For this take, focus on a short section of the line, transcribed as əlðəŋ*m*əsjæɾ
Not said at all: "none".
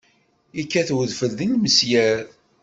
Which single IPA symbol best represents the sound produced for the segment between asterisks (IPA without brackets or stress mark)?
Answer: m